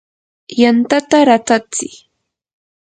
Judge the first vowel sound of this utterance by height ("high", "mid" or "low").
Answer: low